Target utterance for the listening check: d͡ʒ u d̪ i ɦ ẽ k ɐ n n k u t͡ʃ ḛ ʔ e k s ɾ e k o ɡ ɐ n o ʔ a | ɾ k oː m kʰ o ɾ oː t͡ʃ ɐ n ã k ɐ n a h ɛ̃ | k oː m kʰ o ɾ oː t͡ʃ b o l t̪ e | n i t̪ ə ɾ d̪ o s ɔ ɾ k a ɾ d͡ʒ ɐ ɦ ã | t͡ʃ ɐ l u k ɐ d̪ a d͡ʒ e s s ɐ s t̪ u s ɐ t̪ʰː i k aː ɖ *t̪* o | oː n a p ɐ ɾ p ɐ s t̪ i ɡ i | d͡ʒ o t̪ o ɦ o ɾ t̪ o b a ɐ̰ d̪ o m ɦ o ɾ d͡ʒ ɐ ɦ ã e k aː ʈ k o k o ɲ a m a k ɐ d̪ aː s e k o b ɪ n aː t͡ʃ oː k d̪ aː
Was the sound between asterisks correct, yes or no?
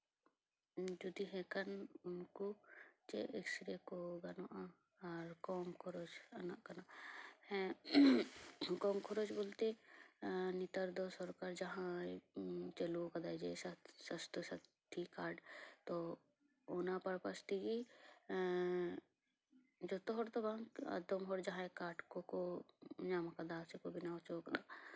yes